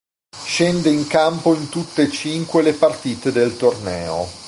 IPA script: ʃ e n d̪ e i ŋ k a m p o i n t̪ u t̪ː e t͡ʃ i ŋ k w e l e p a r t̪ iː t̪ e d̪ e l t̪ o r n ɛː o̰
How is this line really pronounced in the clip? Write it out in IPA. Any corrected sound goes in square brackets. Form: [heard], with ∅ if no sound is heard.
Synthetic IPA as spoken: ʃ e n d̪ e i ŋ k a m p o i n t̪ u t̪ː e t͡ʃ i ŋ k w e l e p a r t̪ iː t̪ e d̪ e l t̪ o r n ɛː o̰